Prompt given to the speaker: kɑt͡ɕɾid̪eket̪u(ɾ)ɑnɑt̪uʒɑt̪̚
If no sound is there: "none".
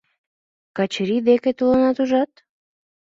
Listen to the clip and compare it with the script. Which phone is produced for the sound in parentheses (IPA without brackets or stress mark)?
l